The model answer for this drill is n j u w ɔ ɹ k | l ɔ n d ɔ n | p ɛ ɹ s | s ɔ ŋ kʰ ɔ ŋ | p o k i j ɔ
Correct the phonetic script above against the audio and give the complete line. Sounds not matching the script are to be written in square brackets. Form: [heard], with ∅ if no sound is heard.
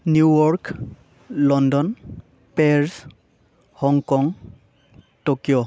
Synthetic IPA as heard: n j u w ɔ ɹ k | l ɔ n d ɔ n | p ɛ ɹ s | [h] ɔ ŋ [k] ɔ ŋ | [t] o k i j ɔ